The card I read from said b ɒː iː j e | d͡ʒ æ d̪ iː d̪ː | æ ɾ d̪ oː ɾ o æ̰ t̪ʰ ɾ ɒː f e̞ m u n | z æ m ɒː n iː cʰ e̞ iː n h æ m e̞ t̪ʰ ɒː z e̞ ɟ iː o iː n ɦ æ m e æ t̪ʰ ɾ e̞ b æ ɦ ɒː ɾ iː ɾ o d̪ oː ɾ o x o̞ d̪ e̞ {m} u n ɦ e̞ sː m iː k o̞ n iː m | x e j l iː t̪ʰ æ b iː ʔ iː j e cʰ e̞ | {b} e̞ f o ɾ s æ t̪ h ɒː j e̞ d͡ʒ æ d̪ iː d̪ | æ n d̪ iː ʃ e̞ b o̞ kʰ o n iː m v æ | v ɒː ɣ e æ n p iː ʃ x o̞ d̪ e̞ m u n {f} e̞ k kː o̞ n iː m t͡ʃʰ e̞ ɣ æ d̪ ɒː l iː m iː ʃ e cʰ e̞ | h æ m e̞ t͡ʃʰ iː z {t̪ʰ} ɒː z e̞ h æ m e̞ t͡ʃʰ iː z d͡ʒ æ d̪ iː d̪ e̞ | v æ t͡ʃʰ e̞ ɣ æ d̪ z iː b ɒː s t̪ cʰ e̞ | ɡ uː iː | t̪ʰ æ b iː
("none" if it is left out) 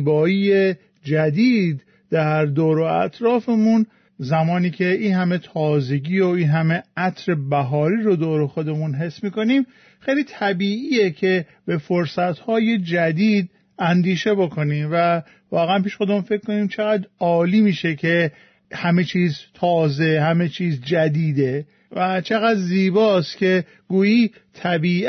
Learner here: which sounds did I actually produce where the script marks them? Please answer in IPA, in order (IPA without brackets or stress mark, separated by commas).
m, b, f, t̪ʰ